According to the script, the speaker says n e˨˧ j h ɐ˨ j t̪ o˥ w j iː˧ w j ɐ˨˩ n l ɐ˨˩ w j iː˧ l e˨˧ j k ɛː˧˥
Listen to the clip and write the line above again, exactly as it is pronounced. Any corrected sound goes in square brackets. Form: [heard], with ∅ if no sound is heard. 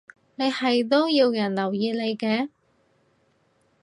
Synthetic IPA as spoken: n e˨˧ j h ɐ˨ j t̪ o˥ w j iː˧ w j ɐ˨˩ n l ɐ˨˩ w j iː˧ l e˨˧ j k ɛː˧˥